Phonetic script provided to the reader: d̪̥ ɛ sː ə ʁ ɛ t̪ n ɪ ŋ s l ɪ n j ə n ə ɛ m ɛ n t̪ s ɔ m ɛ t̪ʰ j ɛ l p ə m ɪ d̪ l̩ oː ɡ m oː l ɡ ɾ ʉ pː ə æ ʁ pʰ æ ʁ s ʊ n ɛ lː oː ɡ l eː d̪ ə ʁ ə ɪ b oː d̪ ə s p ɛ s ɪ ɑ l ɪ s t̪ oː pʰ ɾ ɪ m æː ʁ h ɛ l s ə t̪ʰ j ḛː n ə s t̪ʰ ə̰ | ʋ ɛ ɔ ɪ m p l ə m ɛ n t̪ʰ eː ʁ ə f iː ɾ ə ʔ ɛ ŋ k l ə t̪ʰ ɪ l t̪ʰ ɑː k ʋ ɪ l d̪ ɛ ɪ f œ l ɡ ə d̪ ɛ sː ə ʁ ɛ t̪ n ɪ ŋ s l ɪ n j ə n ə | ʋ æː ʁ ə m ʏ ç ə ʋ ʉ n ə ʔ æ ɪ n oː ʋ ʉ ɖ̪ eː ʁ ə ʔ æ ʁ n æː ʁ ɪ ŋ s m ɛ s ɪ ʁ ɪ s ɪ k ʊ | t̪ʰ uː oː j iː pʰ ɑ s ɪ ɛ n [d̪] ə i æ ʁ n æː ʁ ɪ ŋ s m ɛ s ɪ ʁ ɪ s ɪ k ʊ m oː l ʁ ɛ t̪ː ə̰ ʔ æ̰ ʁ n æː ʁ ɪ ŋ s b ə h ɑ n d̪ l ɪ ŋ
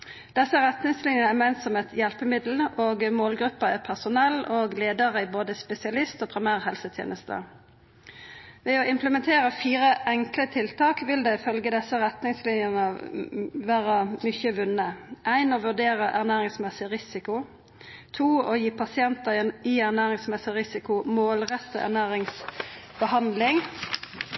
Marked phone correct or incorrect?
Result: incorrect: t̪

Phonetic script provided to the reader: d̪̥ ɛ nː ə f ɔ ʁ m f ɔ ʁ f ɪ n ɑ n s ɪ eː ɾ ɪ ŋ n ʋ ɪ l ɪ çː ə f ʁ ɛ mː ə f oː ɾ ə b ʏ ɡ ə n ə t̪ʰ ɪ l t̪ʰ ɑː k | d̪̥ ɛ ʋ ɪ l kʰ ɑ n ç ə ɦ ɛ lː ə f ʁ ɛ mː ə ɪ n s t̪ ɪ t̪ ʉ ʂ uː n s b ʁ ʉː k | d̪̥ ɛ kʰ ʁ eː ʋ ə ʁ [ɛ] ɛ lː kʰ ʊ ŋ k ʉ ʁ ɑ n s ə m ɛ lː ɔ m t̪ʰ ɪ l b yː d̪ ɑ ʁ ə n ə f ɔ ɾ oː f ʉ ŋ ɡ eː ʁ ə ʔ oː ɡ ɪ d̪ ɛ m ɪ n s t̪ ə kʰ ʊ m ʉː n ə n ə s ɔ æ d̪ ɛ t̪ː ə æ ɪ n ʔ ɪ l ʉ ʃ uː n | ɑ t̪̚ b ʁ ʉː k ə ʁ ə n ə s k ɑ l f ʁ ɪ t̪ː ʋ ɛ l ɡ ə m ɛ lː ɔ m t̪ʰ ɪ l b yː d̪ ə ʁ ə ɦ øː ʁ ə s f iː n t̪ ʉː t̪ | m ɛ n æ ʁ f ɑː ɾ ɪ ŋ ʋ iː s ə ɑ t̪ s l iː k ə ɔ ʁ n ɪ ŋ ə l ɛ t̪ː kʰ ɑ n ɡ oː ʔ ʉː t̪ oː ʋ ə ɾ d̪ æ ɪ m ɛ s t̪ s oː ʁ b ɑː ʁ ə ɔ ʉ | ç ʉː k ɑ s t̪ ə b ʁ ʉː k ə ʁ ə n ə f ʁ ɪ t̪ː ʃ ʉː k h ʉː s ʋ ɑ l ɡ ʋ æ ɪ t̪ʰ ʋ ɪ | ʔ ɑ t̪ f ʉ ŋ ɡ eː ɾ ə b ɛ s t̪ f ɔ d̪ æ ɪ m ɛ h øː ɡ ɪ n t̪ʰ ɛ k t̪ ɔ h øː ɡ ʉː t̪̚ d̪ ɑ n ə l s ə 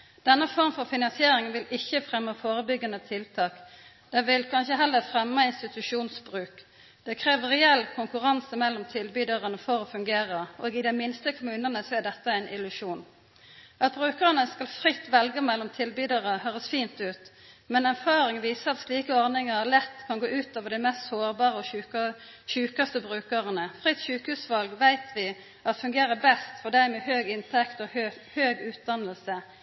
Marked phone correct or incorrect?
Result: correct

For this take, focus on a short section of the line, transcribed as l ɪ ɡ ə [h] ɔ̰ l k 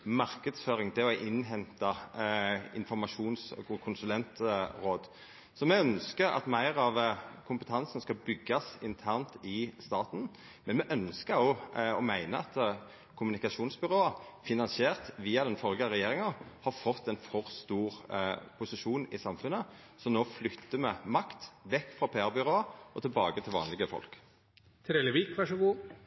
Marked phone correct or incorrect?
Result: incorrect: f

